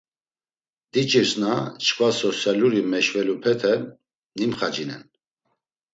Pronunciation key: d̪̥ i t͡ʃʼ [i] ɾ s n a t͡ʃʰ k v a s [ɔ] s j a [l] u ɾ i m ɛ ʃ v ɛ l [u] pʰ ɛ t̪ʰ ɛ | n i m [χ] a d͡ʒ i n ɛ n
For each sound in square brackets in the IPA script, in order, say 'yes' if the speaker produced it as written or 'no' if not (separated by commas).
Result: yes, yes, yes, yes, yes